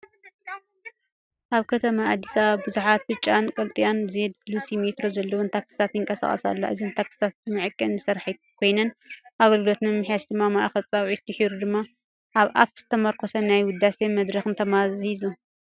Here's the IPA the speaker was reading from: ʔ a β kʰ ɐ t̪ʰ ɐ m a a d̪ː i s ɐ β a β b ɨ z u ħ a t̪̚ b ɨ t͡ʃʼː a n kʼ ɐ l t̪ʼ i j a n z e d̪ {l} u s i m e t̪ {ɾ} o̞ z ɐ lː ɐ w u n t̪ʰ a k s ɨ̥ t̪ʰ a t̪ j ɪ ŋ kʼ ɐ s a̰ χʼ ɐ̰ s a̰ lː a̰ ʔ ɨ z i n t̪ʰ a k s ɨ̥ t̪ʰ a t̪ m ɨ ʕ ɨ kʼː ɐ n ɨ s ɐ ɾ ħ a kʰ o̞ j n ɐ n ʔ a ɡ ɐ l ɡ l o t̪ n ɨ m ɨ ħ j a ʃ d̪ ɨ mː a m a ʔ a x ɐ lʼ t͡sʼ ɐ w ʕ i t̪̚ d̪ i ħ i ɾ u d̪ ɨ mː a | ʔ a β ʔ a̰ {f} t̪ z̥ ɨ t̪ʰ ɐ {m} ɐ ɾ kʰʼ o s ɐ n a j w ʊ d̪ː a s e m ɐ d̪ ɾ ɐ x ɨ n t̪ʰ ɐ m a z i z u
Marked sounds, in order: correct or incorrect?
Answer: correct, correct, correct, correct

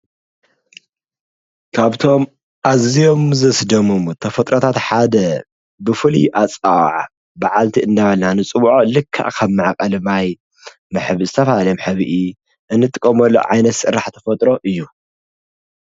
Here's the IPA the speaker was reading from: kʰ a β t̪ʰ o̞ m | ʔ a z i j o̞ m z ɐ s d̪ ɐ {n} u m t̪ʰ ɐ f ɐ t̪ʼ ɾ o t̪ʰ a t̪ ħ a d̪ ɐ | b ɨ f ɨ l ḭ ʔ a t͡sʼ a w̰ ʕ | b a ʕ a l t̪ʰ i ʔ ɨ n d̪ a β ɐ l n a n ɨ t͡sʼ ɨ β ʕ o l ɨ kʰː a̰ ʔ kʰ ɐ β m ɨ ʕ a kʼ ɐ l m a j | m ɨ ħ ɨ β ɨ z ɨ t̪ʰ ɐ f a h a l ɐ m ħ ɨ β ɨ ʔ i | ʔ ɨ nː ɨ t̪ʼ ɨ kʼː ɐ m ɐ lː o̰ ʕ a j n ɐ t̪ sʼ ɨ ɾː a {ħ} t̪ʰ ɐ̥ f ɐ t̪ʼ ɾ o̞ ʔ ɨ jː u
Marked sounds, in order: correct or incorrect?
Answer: incorrect, correct

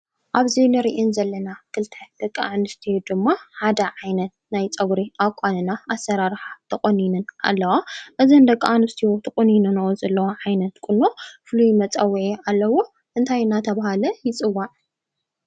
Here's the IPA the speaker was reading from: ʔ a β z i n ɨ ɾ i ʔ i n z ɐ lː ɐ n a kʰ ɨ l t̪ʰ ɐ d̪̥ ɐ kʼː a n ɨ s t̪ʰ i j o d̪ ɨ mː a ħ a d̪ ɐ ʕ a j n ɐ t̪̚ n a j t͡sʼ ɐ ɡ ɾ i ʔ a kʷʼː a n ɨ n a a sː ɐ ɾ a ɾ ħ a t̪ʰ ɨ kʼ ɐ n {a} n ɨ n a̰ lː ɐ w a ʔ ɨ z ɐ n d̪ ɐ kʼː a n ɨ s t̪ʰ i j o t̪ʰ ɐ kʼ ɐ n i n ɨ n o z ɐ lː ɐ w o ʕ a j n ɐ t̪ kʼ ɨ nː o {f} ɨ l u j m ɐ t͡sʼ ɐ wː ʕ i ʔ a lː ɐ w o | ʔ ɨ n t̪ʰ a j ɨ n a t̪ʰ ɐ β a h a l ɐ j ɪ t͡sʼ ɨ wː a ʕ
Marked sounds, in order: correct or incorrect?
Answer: incorrect, correct

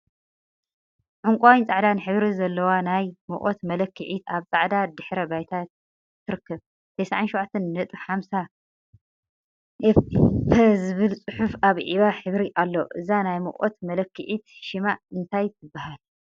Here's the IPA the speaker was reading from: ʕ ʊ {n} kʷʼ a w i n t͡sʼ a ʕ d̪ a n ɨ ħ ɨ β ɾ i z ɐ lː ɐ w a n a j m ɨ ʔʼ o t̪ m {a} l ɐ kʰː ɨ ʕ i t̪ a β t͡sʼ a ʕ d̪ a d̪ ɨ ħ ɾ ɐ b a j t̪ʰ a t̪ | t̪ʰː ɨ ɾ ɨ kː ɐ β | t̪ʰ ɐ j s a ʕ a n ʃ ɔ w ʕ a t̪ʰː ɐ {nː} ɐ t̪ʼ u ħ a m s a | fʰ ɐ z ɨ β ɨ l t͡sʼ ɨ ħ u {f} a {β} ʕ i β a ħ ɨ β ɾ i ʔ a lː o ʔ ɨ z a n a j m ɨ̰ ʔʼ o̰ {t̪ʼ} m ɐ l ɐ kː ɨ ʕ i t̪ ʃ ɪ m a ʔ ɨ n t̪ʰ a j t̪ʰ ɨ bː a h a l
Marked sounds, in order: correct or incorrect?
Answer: incorrect, incorrect, correct, correct, correct, incorrect

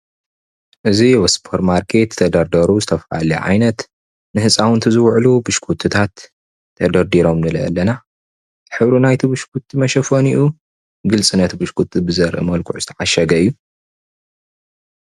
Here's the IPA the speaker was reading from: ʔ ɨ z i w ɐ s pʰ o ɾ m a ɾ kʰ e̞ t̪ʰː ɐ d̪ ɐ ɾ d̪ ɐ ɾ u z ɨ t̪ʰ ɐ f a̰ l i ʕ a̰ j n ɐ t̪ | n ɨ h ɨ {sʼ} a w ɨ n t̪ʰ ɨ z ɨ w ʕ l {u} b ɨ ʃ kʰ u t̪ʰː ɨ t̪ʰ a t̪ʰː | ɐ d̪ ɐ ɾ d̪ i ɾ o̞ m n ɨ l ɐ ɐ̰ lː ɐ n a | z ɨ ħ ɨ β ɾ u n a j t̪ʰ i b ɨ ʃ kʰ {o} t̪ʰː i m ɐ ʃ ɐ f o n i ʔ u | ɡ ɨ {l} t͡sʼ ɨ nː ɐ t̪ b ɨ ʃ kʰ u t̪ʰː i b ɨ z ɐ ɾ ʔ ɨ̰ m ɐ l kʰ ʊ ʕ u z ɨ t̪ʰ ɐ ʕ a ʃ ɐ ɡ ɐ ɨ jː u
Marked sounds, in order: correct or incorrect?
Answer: correct, correct, incorrect, correct

